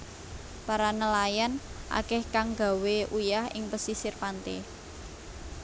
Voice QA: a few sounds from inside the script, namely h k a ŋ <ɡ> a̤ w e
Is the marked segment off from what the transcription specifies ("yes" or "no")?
no